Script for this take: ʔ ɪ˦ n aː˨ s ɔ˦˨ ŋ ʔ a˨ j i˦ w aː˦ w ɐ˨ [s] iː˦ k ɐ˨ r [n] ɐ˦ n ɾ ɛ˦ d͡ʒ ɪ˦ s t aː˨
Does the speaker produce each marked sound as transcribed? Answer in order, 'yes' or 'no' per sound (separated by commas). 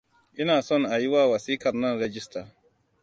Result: yes, yes